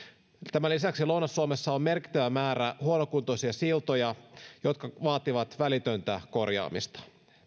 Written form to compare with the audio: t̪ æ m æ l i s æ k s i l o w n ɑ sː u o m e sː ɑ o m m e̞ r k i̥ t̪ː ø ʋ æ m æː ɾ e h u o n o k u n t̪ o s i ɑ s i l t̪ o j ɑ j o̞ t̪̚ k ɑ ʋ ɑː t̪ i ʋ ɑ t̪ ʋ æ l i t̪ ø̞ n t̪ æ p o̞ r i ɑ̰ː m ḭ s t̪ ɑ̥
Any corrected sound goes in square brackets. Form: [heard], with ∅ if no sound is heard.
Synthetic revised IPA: t̪ æ m æ l i s æ k s i l o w n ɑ sː u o m e sː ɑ o m m e̞ r k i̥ t̪ː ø ʋ æ m æː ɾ [æ] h u o n o k u n t̪ o s i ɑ s i l t̪ o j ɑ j o̞ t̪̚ k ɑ ʋ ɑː t̪ i ʋ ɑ t̪ ʋ æ l i t̪ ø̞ n t̪ æ [k] o̞ r [j] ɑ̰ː m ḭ s t̪ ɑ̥